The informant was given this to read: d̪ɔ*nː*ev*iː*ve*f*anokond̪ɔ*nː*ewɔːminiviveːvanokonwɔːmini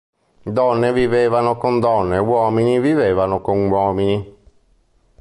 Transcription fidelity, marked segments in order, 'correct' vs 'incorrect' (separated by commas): correct, incorrect, incorrect, correct